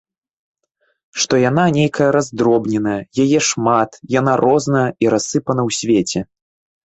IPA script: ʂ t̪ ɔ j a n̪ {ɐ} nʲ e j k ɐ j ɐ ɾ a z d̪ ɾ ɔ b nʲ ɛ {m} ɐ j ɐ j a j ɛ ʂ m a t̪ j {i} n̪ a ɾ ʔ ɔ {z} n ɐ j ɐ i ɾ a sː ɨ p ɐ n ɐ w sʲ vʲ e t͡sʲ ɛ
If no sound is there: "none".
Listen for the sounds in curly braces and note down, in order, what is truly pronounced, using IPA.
a, n, a, z

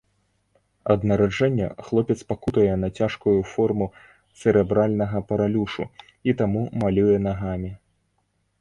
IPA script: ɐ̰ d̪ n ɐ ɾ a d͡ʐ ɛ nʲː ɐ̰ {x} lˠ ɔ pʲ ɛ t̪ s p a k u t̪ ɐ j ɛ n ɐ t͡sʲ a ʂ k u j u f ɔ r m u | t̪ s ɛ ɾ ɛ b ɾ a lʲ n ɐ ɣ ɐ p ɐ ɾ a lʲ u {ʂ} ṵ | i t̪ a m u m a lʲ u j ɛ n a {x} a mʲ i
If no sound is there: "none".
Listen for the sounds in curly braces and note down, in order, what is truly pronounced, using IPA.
x, ʂ, ɣ

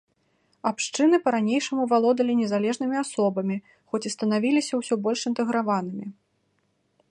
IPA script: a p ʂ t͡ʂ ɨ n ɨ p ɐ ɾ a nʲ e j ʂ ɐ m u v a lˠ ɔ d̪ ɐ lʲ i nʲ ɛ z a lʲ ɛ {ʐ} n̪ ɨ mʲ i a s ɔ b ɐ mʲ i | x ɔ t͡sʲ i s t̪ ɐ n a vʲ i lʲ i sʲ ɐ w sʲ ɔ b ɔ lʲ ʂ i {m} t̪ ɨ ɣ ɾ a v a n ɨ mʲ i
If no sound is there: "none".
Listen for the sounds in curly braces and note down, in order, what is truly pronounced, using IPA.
ʐ, n

